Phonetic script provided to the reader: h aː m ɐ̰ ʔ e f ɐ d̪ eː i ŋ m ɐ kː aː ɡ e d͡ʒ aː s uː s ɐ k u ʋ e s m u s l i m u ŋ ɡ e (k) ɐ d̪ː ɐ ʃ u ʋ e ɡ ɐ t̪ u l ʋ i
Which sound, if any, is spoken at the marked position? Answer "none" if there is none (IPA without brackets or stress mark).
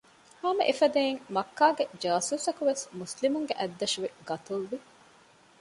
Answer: ʔ